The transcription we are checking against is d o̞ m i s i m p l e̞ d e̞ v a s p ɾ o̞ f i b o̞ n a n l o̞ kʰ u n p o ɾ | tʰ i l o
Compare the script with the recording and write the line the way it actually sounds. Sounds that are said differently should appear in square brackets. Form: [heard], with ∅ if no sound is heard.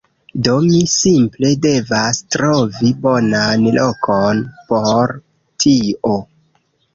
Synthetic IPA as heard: d o̞ m i s i m p l e̞ d e̞ v a s [t] ɾ o̞ [v] i b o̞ n a n l o̞ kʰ [o] n p o ɾ | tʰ i [∅] o